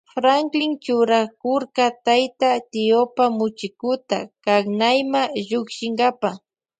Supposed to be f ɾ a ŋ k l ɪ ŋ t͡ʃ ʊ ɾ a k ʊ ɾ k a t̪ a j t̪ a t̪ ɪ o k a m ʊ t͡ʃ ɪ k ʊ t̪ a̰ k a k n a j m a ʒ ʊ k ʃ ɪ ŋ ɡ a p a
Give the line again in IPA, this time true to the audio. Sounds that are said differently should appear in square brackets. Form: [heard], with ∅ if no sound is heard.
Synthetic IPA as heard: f ɾ a ŋ k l ɪ ŋ t͡ʃ ʊ ɾ a k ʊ ɾ k a t̪ a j t̪ a t̪ ɪ o [p] a m ʊ t͡ʃ ɪ k ʊ t̪ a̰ k a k n a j m a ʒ ʊ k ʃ ɪ ŋ ɡ a p a